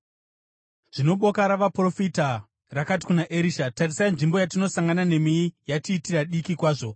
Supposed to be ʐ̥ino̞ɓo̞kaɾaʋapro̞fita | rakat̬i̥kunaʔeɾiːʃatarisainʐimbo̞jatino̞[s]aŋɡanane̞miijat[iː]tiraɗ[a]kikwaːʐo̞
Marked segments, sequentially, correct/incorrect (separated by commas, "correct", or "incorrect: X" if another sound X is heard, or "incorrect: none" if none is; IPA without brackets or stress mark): correct, correct, incorrect: i